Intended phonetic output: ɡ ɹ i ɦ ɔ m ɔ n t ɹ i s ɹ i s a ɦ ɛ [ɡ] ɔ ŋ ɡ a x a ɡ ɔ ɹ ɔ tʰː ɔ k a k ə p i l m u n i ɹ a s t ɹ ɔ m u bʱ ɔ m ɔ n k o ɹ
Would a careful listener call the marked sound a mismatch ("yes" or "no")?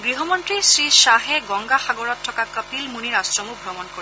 no